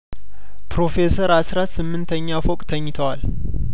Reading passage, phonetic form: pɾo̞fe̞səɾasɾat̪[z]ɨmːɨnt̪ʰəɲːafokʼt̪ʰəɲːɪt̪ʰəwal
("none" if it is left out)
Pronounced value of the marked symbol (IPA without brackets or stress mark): s